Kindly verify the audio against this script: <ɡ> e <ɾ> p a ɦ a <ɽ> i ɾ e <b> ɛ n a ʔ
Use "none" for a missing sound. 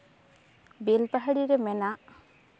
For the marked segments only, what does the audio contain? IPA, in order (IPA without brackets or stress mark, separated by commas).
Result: b, l, ɽ, m